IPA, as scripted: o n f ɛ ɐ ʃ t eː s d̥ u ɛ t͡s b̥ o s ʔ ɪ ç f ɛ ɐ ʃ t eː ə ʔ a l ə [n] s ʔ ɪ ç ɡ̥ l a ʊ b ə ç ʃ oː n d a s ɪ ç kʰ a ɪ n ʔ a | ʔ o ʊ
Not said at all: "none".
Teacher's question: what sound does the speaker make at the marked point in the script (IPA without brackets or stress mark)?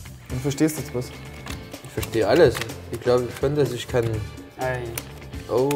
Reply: none